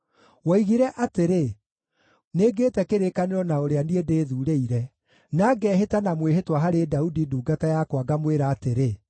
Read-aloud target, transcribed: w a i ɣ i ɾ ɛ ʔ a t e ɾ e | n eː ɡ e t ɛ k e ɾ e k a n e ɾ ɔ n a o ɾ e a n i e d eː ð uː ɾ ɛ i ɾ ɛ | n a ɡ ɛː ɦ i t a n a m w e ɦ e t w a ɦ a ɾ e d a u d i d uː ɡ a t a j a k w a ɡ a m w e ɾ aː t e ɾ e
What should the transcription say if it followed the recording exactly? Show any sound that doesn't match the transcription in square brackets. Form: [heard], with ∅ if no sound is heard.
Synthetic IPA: w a i ɣ i ɾ ɛ ʔ a t e ɾ e | n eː ɡ e t ɛ k e ɾ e k a n e ɾ ɔ n a o ɾ e a n i e d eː ð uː ɾ [e] i ɾ ɛ | n a ɡ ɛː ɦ [e] t a n a m w e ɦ e t w a ɦ a ɾ e d a u d i d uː ɡ a t a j a k w a ɡ a m w e ɾ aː t e ɾ e